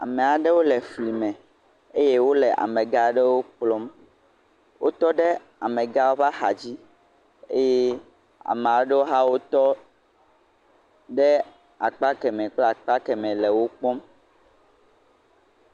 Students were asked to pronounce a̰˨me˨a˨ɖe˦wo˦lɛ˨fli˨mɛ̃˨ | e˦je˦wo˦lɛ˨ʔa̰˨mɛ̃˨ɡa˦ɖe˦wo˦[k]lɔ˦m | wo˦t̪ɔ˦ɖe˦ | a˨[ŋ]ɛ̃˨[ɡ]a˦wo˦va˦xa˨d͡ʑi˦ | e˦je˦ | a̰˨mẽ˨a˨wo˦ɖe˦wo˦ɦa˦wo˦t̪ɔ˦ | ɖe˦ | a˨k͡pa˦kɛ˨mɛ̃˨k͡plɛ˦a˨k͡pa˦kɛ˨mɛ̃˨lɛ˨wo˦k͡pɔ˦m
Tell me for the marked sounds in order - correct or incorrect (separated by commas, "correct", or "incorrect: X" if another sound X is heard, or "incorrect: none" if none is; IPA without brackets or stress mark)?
incorrect: k͡p, incorrect: m, correct